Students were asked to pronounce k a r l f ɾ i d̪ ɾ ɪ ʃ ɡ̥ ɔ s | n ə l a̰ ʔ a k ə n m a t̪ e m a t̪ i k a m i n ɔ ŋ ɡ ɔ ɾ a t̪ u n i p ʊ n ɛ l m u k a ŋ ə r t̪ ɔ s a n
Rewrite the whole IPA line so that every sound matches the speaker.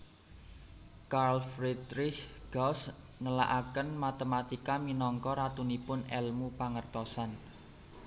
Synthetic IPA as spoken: k a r l f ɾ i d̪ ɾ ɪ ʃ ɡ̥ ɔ s | n ə l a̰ ʔ a k ə n m a t̪ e m a t̪ i k a m i n ɔ ŋ k ɔ ɾ a t̪ u n i p ʊ n ɛ l m u p a ŋ ə r t̪ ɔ s a n